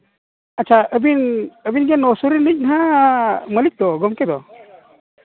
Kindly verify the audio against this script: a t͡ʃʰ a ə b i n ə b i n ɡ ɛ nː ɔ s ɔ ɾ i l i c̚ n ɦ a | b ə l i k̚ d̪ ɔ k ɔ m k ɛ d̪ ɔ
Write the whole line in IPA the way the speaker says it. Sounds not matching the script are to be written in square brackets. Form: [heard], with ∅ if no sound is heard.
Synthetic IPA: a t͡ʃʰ a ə b i n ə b i n ɡ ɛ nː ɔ s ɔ ɾ i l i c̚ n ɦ a | [m] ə l i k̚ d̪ ɔ [ɡ] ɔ m k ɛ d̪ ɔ